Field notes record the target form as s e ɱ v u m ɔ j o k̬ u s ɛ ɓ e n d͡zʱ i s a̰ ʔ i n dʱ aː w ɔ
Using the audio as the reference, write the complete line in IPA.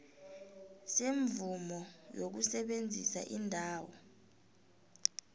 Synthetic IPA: s e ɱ v u m ɔ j o k̬ u s ɛ ɓ e n d͡zʱ i s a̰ ʔ i n dʱ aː w ɔ